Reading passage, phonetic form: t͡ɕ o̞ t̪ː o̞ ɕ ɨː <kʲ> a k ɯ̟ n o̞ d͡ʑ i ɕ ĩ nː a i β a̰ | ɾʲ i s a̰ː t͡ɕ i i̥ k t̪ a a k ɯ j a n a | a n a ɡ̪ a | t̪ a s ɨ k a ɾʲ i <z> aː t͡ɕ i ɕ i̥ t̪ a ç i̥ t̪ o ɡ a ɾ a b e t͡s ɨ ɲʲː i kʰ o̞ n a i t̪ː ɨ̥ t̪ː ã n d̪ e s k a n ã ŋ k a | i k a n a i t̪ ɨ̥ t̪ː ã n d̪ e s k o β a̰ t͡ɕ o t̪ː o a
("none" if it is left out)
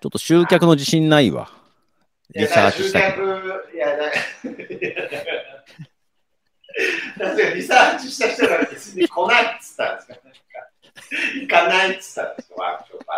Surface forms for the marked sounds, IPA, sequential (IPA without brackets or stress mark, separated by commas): kʲ, s